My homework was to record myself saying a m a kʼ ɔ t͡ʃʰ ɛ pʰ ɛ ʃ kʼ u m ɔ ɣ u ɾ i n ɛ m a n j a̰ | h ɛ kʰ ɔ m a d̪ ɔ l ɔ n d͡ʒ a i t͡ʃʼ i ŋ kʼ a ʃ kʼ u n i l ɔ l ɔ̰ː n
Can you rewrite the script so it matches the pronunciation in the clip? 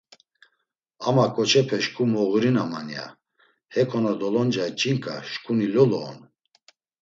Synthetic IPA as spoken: a m a kʼ ɔ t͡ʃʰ ɛ pʰ ɛ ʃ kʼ u m ɔ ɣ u ɾ i n a m a n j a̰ | h ɛ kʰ ɔ n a d̪ ɔ l ɔ n d͡ʒ a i t͡ʃʼ i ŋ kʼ a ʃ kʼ u n i l ɔ l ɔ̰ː n